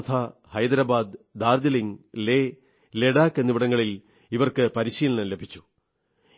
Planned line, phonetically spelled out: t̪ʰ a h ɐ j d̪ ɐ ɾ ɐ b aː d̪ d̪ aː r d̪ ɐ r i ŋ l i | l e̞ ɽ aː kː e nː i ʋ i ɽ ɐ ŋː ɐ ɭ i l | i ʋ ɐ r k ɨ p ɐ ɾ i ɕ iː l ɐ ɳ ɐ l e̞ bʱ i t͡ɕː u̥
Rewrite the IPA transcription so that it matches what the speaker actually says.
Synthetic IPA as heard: t̪ʰ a h ɐ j d̪ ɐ ɾ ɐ b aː d̪ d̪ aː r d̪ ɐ l i ŋ l e | l e̞ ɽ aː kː e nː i ʋ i ɽ ɐ ŋː ɐ ɭ i l | i ʋ ɐ r k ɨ p ɐ ɾ i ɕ iː l ɐ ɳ ɐ l e̞ bʱ i t͡ɕː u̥